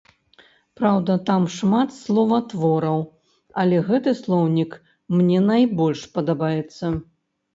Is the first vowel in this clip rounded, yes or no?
no